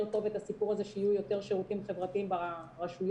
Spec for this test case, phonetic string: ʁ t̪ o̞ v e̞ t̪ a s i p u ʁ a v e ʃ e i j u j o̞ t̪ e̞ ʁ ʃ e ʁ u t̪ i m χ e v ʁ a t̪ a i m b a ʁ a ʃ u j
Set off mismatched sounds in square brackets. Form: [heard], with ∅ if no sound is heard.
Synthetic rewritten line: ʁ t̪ o̞ v e̞ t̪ a s i p u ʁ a [z] e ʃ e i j u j o̞ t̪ e̞ ʁ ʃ e ʁ u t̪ i m χ e v ʁ a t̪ [i] i m b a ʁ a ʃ u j